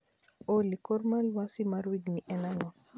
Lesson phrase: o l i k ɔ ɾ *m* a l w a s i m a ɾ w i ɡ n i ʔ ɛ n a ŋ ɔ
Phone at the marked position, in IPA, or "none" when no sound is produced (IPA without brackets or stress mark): m